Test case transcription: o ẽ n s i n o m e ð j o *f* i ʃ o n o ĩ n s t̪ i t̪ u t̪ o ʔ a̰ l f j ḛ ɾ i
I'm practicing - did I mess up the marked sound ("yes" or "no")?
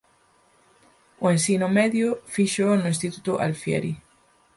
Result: no